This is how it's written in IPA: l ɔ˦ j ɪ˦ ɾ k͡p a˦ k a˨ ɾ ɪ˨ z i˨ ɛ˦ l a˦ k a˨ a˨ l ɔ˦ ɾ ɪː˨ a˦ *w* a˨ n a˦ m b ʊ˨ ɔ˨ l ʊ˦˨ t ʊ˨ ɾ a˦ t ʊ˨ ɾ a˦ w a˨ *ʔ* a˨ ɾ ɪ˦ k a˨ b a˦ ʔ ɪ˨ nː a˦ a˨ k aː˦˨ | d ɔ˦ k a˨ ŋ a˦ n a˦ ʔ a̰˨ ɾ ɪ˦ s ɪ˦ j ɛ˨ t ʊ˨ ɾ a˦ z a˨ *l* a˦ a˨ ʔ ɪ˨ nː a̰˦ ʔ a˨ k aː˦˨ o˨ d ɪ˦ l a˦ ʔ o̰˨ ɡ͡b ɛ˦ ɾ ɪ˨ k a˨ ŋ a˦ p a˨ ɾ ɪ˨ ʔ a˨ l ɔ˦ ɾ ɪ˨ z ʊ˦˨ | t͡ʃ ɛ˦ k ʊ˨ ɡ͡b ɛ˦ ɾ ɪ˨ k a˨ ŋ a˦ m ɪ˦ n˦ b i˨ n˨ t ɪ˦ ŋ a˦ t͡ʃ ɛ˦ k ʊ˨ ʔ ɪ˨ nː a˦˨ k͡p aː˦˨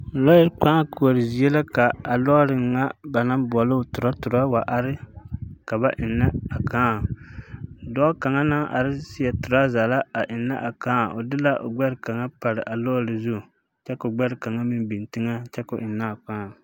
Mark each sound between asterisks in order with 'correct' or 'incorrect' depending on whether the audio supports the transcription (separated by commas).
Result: incorrect, correct, correct